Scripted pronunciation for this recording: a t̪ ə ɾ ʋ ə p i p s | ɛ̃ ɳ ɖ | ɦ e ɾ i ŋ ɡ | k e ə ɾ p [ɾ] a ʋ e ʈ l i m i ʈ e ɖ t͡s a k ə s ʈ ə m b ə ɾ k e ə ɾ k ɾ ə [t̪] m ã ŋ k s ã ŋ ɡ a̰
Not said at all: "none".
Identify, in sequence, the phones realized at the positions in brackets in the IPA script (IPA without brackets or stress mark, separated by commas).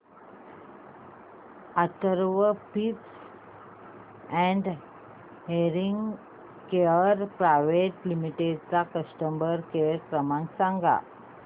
ɾ, none